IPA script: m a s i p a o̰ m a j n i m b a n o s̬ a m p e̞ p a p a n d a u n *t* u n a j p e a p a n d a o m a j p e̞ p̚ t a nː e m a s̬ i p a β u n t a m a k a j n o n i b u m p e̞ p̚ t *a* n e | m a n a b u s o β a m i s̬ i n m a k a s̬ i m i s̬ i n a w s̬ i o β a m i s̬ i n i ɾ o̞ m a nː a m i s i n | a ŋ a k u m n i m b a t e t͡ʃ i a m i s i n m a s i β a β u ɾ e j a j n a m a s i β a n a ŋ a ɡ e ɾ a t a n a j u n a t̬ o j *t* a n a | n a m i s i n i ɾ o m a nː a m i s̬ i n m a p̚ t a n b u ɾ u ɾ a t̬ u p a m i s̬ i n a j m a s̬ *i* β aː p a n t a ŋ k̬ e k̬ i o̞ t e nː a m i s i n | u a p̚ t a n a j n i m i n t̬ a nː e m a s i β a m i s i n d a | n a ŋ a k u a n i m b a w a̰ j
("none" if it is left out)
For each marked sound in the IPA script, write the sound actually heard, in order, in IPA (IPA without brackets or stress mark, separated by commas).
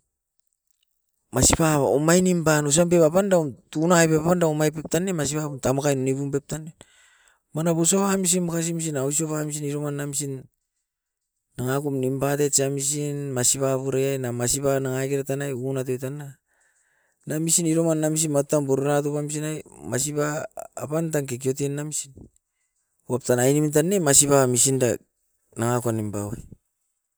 t, a, t, i